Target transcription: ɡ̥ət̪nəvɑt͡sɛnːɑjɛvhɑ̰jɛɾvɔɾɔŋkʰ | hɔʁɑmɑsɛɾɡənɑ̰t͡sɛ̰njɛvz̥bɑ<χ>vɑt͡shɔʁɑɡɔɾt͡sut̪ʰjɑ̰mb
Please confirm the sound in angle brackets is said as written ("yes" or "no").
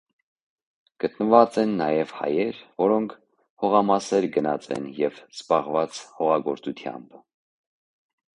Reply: no